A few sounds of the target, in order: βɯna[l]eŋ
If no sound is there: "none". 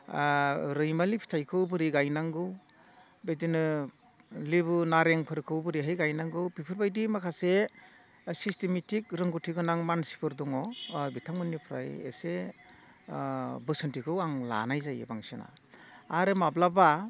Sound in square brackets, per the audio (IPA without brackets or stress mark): ɾ